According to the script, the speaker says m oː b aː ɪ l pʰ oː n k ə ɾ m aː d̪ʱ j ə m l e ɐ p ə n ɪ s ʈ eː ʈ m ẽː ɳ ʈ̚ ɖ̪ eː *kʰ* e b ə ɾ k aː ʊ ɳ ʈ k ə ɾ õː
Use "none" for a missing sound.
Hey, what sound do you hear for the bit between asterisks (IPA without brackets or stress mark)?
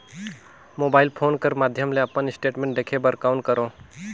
kʰ